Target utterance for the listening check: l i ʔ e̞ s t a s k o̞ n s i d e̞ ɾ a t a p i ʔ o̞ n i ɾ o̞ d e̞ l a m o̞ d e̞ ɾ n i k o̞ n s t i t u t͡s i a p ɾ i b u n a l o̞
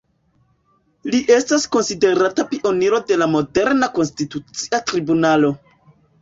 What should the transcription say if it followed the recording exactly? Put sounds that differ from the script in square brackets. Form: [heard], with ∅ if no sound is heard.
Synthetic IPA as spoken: l i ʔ e̞ s t a s k o̞ n s i d e̞ ɾ a t a p i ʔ o̞ n i ɾ o̞ d e̞ l a m o̞ d e̞ ɾ n [a] k o̞ n s t i t u t͡s i a [t] ɾ i b u n a l o̞